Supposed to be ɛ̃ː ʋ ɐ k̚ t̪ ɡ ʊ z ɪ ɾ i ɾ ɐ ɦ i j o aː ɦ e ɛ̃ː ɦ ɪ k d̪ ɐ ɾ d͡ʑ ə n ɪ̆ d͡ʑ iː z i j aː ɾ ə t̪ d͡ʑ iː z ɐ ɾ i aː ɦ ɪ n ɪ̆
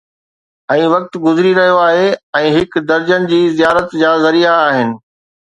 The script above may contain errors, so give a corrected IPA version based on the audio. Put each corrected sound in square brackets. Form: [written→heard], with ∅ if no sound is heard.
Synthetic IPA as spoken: ɛ̃ː ʋ ɐ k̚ t̪ ɡ ʊ z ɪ ɾ i ɾ ɐ ɦ i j o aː ɦ e ɛ̃ː ɦ ɪ k d̪ ɐ ɾ d͡ʑ ə n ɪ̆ d͡ʑ iː z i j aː ɾ ə t̪ d͡ʑ [iː→aː] z ɐ ɾ i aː ɦ ɪ n ɪ̆